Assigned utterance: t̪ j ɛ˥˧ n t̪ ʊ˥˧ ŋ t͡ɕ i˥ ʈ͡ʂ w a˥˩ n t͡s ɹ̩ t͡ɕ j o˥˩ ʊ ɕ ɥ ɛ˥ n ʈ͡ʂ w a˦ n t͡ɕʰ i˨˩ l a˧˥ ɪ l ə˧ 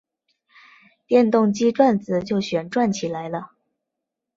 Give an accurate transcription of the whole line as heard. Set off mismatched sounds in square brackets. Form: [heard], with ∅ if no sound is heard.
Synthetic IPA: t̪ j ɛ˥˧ n t̪ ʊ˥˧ ŋ t͡ɕ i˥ ʈ͡ʂ w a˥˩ n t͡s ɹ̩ t͡ɕ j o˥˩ ʊ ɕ ɥ [ɛ˨˩] n ʈ͡ʂ w [a˥˩] n t͡ɕʰ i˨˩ l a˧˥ ɪ l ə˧

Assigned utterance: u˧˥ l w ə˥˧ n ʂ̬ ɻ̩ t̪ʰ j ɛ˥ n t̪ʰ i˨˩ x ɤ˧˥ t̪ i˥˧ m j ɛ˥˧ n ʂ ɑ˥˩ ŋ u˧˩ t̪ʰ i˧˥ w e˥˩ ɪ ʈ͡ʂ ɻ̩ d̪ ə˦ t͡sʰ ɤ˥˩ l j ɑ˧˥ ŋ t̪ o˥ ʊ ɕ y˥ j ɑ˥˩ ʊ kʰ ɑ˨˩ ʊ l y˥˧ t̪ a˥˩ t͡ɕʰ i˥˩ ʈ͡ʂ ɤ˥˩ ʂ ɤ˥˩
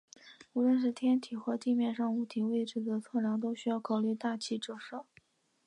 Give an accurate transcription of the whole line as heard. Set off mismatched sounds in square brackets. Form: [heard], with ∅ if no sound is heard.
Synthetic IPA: u˧˥ l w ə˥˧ n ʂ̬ ɻ̩ t̪ʰ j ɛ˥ n t̪ʰ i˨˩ x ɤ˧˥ t̪ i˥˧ m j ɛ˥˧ n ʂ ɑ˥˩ ŋ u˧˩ t̪ʰ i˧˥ w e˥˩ ɪ ʈ͡ʂ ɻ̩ d̪ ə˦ t͡sʰ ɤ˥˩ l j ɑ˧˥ ŋ t̪ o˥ ʊ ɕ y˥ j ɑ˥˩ ʊ kʰ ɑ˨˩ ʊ l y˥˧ t̪ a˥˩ t͡ɕʰ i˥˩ ʈ͡ʂ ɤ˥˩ ʂ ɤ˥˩

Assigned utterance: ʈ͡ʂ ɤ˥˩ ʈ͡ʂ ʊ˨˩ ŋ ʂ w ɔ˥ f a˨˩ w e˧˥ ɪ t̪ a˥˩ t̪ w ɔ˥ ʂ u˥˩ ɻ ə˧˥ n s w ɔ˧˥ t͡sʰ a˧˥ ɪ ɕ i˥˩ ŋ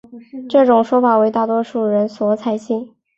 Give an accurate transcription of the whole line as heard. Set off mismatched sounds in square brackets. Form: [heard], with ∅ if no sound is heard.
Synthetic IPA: ʈ͡ʂ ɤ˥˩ ʈ͡ʂ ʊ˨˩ ŋ ʂ w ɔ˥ f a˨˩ w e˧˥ ɪ t̪ a˥˩ t̪ w ɔ˥ ʂ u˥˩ ɻ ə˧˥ n s w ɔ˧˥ t͡sʰ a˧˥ ɪ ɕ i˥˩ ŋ

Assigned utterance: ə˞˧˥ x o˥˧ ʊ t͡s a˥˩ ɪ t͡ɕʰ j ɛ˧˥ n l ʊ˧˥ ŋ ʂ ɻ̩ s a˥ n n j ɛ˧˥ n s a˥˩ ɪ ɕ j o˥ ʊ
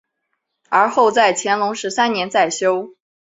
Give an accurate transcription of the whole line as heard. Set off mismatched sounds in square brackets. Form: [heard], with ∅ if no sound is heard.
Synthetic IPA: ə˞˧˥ x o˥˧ ʊ t͡s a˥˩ ɪ t͡ɕʰ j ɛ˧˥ n l ʊ˧˥ ŋ ʂ ɻ̩ s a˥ n n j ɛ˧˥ n [t͡s] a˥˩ ɪ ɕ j o˥ ʊ

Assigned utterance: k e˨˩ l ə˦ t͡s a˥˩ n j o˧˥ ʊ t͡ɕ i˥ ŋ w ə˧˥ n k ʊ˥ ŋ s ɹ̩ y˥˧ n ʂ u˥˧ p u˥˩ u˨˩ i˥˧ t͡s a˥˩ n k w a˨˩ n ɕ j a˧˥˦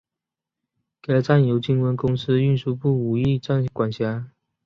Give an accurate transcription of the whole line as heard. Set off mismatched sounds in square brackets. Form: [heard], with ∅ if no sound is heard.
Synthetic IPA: k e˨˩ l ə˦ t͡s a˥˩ n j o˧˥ ʊ t͡ɕ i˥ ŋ w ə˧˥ n k ʊ˥ ŋ s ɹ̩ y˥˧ n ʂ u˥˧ p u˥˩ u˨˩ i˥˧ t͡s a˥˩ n k w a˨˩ n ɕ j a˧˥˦

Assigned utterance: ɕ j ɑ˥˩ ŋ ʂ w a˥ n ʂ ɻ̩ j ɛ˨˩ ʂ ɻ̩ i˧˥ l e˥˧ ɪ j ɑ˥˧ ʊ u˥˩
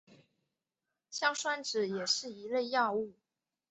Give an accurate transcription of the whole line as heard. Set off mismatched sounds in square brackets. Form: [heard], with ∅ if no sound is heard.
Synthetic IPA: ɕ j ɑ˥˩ ŋ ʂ w a˥ n [ʈ͡ʂ] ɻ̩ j ɛ˨˩ ʂ ɻ̩ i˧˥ l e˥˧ ɪ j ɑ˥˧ ʊ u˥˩

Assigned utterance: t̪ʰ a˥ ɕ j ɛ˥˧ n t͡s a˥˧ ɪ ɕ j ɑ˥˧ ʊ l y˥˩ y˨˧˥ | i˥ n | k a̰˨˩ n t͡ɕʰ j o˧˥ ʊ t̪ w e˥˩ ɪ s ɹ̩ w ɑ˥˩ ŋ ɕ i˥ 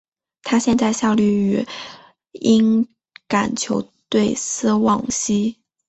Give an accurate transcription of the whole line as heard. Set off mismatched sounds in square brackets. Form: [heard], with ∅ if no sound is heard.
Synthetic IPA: t̪ʰ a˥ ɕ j ɛ˥˧ n t͡s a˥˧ ɪ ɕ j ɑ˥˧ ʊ l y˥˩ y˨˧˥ | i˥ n | k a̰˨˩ n t͡ɕʰ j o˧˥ ʊ t̪ w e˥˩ ɪ s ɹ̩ w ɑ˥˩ ŋ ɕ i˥

